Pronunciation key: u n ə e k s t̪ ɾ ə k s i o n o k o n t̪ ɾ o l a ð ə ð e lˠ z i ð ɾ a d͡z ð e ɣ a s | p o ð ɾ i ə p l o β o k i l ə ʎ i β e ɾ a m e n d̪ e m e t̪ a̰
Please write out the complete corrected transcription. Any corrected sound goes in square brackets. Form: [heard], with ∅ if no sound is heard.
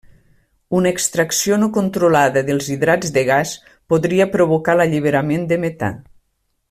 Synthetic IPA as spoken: u n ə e k s t̪ ɾ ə k s i o n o k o n t̪ ɾ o l a ð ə ð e lˠ z i ð ɾ a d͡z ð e ɣ a s | p o ð ɾ i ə p [ɾ] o β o k [a] l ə ʎ i β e ɾ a m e n d̪ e m e t̪ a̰